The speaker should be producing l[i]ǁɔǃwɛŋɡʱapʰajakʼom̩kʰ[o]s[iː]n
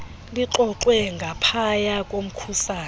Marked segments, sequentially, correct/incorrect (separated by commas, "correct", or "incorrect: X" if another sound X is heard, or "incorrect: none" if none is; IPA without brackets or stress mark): correct, incorrect: u, incorrect: aː